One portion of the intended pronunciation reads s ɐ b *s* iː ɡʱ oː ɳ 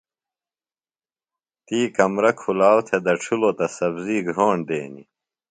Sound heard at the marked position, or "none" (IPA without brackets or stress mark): z